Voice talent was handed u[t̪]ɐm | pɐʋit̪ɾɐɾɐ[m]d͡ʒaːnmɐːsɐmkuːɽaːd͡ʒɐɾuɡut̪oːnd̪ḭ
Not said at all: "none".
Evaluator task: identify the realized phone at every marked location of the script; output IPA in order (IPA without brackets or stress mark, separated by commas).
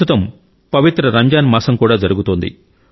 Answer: t̪, ɲ